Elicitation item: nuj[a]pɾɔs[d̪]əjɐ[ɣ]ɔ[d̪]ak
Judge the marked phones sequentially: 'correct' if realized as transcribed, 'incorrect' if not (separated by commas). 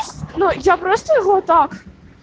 correct, incorrect, correct, incorrect